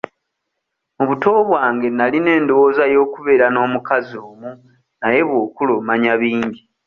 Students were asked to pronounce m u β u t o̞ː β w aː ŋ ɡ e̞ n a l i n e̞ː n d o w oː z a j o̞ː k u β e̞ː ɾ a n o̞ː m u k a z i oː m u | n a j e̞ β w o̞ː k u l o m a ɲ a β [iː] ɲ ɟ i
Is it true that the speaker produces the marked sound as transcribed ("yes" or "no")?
yes